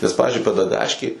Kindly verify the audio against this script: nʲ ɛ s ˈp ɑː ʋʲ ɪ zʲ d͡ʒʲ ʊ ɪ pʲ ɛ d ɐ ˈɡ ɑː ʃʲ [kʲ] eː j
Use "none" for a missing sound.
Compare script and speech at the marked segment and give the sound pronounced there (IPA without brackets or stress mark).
kʲ